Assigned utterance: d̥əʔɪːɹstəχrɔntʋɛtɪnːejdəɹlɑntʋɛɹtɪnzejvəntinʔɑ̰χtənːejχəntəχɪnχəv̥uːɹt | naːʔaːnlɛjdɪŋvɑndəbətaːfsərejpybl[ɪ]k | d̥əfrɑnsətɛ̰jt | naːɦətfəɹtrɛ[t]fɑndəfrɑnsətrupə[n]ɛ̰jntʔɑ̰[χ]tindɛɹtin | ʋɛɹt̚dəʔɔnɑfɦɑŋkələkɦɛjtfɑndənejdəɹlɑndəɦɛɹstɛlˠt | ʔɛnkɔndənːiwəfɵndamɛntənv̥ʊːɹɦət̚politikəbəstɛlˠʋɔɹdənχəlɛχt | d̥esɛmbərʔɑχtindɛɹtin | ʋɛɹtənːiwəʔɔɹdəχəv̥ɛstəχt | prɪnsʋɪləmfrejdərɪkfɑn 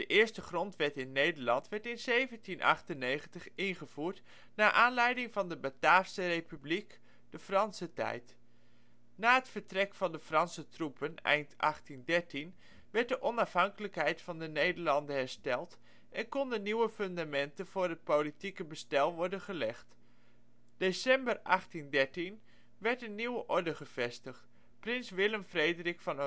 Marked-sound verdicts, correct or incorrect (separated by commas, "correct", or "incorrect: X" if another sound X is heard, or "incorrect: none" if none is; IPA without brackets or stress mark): incorrect: i, incorrect: k, correct, correct